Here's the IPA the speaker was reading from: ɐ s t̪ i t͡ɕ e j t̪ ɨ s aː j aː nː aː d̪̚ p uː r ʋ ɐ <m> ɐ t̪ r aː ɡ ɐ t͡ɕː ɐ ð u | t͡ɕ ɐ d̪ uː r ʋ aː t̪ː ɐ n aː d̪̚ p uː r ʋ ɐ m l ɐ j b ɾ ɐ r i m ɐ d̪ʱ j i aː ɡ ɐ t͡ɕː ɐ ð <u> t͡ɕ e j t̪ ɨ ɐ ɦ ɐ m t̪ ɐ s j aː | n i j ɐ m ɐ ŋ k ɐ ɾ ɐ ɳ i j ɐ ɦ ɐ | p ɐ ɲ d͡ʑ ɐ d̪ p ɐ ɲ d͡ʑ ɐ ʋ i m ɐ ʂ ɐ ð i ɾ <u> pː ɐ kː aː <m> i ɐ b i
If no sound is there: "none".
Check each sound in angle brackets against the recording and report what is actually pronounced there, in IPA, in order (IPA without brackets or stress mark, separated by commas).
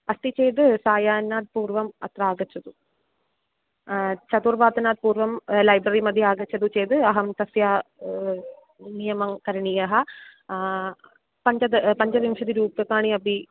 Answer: m, u, uː, ɳ